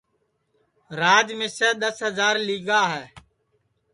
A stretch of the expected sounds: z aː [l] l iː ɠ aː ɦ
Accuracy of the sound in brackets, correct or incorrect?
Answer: incorrect